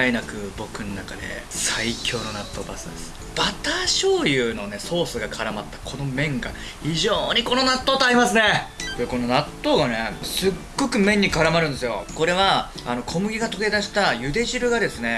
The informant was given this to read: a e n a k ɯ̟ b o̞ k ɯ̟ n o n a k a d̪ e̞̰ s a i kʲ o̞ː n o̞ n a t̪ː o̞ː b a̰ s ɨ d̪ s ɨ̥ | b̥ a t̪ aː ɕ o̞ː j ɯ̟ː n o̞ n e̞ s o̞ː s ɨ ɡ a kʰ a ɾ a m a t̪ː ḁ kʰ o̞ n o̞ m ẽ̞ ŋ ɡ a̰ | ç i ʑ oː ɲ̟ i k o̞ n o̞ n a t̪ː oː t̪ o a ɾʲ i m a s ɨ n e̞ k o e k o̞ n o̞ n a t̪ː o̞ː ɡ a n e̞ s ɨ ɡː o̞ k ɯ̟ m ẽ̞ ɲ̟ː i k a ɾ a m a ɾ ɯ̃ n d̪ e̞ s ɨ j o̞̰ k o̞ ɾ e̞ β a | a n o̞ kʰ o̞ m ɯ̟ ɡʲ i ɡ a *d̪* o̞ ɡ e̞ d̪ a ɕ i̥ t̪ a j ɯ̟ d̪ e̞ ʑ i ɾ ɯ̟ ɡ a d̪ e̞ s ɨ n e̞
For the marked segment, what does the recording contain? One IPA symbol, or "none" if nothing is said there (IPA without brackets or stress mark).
t̪